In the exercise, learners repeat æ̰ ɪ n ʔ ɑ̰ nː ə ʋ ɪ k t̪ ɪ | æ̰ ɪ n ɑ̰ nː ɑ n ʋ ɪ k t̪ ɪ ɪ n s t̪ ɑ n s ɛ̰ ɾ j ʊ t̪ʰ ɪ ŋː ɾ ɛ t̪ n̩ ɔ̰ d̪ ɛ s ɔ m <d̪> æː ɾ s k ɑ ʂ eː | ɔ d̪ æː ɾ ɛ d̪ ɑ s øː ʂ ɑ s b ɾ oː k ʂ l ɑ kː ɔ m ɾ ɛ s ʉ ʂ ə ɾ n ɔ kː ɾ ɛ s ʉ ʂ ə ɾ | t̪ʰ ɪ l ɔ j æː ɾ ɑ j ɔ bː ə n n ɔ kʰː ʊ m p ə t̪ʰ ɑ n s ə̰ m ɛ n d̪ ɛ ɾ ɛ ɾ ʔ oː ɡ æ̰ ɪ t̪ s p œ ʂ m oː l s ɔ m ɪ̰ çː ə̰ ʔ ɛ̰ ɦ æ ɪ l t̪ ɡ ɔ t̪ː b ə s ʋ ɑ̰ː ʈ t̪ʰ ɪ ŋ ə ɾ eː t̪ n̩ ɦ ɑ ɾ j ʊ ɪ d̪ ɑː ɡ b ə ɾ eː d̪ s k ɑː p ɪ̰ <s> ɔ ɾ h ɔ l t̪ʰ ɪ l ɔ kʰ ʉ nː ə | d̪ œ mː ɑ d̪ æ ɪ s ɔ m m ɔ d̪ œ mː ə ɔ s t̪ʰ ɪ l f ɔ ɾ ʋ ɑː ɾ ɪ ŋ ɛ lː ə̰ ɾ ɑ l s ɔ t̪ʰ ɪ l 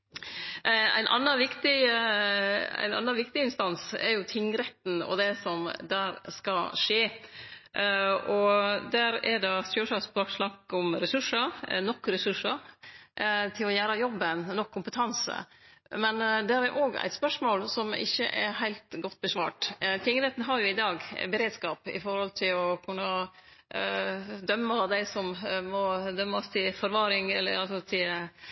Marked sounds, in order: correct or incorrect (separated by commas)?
correct, incorrect